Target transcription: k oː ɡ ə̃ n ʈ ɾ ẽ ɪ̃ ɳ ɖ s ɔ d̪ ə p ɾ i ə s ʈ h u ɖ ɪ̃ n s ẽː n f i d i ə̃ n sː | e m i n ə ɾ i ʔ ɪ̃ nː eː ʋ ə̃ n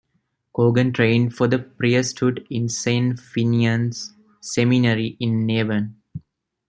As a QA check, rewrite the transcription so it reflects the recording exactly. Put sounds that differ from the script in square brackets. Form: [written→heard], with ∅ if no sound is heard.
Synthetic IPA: k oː ɡ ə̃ n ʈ ɾ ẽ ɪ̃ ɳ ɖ [s→f] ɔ d̪ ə p ɾ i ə s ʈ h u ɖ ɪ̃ n s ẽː n f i [d→n] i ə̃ n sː | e m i n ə ɾ i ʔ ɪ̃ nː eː ʋ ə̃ n